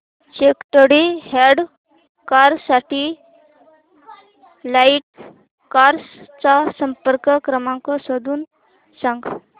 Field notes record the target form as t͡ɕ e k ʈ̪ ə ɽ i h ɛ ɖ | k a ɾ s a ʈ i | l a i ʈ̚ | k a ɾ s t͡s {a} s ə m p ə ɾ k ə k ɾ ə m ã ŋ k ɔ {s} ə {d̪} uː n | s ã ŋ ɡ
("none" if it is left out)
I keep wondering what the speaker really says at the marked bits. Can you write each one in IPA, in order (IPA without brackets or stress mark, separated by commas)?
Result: a, s, d̪